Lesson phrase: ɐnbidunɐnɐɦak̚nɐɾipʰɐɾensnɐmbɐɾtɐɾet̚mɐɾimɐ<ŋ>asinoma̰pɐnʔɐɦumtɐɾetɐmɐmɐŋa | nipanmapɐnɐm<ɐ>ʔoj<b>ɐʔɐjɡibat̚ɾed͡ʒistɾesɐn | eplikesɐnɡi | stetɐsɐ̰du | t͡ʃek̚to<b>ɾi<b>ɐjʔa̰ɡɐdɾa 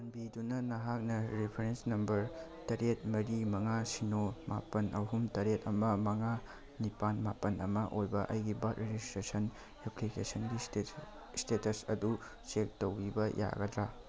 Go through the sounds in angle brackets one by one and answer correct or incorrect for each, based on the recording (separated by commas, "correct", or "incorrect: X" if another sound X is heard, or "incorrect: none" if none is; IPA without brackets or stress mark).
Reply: correct, correct, correct, incorrect: w, correct